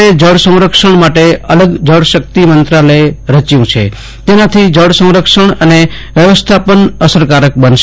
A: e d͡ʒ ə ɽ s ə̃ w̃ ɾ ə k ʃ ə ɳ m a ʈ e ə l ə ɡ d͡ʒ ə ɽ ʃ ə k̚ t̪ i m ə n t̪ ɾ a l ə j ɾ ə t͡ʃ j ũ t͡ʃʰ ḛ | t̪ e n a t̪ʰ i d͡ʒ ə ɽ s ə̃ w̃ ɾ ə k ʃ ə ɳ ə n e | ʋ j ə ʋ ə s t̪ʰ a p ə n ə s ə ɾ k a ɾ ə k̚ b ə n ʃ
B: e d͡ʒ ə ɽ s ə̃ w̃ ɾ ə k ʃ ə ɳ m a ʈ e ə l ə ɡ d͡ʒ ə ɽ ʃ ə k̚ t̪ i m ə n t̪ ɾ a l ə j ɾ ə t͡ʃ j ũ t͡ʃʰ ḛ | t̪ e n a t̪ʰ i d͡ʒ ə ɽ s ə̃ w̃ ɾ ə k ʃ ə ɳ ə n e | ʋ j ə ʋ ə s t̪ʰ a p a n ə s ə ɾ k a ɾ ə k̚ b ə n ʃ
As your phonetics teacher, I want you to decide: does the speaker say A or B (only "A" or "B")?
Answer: A